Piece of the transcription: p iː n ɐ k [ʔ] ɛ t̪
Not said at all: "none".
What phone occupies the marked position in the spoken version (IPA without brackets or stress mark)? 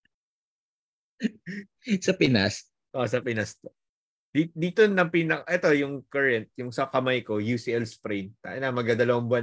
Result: ʔ